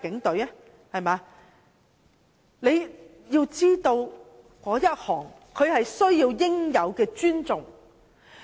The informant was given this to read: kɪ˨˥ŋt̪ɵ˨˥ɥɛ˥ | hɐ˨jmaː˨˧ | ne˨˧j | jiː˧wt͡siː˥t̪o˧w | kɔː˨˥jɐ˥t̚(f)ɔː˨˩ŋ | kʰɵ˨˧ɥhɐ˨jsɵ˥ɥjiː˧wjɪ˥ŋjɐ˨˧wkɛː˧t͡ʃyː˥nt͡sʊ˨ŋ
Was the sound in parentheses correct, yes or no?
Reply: no